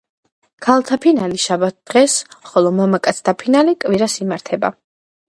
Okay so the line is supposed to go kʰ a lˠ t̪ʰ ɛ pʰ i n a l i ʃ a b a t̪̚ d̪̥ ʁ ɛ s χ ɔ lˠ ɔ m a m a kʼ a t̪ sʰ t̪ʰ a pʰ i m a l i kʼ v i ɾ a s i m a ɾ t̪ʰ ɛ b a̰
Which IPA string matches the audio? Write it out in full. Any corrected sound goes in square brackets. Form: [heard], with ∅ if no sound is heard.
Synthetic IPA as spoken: kʰ a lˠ t̪ʰ [a] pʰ i n a l i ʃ a b a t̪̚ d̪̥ ʁ ɛ s χ ɔ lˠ ɔ m a m a kʼ a t̪ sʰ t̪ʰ a pʰ i [n] a l i kʼ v i ɾ a s i m a ɾ t̪ʰ ɛ b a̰